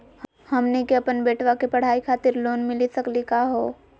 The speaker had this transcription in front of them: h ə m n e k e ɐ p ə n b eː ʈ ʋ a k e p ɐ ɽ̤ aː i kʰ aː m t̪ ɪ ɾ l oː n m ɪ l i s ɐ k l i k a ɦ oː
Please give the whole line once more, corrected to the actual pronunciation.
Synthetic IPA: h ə m n e k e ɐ p ə n b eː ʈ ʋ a k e p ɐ ɽ̤ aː i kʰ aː t̪ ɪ ɾ l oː n m ɪ l i s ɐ k l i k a ɦ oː